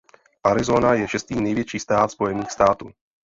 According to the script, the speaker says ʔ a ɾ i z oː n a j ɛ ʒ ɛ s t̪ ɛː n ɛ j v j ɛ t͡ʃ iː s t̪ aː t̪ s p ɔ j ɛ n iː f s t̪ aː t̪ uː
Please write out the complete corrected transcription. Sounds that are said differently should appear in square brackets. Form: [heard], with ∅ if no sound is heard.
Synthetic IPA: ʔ a ɾ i z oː n a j ɛ [ʃ] ɛ s t̪ [iː] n ɛ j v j ɛ t͡ʃ iː s t̪ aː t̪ s p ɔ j ɛ n iː [x] s t̪ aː t̪ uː